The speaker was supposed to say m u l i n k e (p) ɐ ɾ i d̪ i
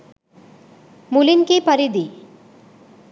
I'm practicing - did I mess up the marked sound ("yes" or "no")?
no